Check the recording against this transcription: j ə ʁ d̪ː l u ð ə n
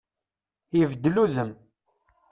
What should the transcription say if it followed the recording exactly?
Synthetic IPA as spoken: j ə v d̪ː l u ð ə m